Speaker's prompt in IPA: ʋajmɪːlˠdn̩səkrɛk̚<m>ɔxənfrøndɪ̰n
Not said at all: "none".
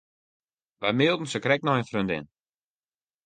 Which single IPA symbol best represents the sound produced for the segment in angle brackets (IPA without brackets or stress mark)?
n